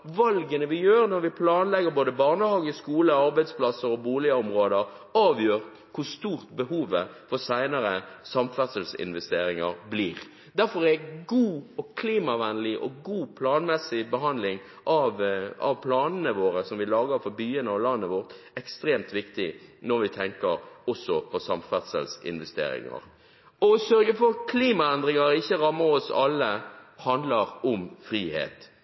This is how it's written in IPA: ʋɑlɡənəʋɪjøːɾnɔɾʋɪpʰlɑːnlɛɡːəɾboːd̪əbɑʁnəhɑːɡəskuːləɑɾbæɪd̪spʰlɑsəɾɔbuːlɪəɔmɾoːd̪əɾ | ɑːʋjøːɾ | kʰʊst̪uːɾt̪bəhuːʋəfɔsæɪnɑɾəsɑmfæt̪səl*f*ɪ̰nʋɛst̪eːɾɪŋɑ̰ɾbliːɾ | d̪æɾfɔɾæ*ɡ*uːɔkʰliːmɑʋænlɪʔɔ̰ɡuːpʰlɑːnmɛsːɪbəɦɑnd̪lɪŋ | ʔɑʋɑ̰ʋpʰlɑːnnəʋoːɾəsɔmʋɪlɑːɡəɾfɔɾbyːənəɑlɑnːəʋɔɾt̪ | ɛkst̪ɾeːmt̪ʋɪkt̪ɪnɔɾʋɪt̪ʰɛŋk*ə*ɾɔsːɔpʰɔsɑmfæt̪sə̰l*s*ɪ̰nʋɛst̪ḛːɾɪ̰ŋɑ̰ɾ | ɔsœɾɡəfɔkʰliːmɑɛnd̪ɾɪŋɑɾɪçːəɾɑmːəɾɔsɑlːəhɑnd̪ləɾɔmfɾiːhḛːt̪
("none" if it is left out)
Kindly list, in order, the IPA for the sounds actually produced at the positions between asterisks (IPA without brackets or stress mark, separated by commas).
s, ɡ, ə, s